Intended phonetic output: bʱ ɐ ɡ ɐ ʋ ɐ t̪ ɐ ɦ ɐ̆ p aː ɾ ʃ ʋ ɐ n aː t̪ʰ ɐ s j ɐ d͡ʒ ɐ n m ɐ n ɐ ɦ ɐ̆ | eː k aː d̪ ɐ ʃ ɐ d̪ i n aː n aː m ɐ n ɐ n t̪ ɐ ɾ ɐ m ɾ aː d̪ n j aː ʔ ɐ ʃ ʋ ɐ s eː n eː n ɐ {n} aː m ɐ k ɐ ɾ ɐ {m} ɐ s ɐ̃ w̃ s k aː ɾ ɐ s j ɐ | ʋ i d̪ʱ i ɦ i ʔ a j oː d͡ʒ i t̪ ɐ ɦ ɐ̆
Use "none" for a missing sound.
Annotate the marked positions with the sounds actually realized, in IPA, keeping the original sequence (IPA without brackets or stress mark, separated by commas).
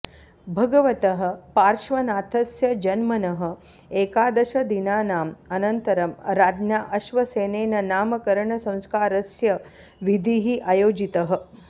n, ɳ